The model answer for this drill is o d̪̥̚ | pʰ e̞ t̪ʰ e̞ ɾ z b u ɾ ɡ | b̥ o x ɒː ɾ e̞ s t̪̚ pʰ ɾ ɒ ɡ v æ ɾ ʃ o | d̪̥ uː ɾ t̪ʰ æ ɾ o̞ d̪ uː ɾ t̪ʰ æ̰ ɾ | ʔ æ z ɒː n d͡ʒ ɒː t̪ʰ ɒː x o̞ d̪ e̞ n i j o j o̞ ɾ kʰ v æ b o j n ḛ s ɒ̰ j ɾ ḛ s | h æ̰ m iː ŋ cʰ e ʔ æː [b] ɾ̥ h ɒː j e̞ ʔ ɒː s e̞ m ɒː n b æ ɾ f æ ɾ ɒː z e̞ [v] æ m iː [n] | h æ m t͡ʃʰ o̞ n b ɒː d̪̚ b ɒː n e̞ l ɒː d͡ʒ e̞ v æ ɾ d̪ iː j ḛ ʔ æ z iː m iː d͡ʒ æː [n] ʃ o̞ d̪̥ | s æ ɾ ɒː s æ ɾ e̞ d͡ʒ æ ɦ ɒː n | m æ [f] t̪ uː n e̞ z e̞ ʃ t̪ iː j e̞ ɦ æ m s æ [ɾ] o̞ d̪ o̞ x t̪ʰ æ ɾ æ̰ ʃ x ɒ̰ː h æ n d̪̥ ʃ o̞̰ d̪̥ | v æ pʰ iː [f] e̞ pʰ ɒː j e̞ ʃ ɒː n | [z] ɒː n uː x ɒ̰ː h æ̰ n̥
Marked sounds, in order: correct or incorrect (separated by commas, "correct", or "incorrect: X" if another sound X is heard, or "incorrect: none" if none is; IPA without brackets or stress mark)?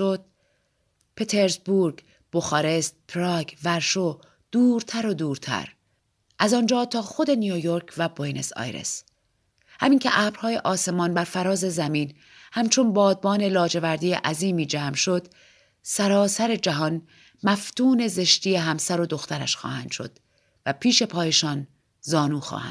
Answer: correct, incorrect: z, correct, incorrect: m, correct, correct, incorrect: ʃ, correct